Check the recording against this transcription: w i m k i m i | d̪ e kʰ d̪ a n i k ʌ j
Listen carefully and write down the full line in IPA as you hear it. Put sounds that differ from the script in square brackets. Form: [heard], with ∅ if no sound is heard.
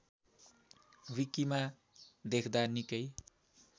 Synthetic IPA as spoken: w i [∅] k i m [a] | d̪ e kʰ d̪ a n i k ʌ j